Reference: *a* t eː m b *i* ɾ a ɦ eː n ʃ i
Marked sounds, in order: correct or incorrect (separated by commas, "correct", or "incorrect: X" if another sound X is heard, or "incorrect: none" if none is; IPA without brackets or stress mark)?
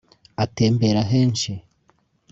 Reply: correct, incorrect: e